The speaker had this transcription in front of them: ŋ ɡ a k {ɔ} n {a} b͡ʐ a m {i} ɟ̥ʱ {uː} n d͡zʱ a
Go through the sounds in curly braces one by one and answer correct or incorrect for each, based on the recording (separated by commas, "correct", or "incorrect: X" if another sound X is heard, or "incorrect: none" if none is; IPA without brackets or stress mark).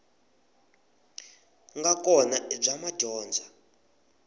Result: correct, correct, incorrect: a, incorrect: ɔː